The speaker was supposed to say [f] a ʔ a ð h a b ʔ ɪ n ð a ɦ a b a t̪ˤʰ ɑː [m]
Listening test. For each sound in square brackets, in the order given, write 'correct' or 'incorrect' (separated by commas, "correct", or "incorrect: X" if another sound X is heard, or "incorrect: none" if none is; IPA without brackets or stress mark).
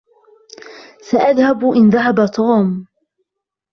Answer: incorrect: s, correct